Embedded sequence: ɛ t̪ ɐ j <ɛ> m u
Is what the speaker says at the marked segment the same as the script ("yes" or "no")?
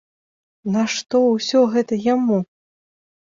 no